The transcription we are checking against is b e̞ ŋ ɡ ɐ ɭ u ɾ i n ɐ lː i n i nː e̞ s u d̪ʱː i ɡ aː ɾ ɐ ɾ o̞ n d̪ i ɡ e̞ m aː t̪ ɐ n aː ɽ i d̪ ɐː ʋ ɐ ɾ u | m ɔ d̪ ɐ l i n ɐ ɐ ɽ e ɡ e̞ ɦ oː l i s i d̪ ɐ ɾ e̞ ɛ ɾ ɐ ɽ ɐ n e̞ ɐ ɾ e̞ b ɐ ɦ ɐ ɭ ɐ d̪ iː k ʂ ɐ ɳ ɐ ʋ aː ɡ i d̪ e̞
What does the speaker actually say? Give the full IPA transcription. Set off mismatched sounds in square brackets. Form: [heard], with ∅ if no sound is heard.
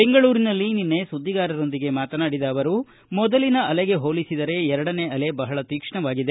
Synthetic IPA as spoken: b e̞ ŋ ɡ ɐ ɭ [uː] ɾ i n ɐ lː i n i nː e̞ s u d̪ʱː i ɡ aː ɾ ɐ ɾ o̞ n d̪ i ɡ e̞ m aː t̪ ɐ n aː ɽ i d̪ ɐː ʋ ɐ ɾ u | m ɔ d̪ ɐ l i n ɐ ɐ [l] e ɡ e̞ ɦ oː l i s i d̪ ɐ ɾ e̞ ɛ ɾ ɐ ɽ ɐ n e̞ ɐ [l] e̞ b ɐ ɦ ɐ ɭ ɐ [t̪] iː k ʂ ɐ ɳ ɐ ʋ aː ɡ i d̪ e̞